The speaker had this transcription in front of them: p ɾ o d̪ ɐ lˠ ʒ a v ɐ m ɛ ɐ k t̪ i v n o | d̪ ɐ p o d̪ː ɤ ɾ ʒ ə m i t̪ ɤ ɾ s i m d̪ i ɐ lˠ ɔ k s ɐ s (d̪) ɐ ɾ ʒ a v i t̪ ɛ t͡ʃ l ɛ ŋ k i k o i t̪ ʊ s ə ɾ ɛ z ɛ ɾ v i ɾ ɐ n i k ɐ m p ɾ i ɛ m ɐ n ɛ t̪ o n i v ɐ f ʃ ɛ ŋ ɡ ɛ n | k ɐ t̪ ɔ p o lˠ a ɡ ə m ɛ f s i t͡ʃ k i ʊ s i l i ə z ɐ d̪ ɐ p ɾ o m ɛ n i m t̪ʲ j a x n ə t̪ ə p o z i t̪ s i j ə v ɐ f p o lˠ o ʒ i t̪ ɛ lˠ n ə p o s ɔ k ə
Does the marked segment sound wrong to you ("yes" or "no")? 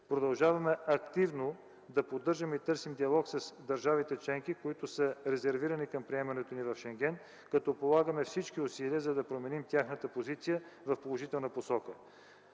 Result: no